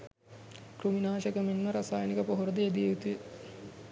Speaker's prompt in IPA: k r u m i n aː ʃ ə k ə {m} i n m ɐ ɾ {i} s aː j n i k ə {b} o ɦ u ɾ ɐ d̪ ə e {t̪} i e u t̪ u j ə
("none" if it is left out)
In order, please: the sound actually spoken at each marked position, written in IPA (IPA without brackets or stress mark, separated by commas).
m, a, p, d̪